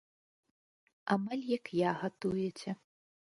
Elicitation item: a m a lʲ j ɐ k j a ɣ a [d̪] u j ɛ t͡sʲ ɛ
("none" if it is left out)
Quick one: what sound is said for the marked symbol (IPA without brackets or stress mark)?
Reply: t̪